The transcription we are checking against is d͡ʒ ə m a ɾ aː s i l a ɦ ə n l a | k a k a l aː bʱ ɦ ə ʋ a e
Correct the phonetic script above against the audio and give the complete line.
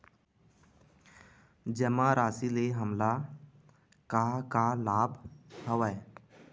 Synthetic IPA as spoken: d͡ʒ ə m a ɾ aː s i l e ɦ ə m l a | k a k a l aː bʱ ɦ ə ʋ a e